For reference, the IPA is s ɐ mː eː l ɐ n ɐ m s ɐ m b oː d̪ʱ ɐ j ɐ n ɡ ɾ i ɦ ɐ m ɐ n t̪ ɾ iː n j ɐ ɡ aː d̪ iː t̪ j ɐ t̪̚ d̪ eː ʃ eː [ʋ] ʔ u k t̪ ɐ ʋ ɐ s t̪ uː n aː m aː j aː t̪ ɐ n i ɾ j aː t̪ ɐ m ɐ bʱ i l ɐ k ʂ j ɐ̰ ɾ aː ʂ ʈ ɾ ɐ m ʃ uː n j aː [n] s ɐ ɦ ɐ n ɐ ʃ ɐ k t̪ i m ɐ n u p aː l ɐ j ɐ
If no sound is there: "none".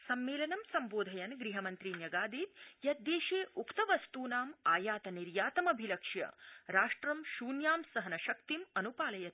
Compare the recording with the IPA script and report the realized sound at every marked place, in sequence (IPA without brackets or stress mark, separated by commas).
none, m